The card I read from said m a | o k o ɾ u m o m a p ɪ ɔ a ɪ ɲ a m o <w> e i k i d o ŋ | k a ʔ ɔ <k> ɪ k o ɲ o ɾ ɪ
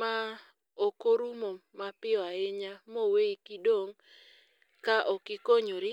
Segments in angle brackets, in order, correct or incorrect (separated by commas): correct, correct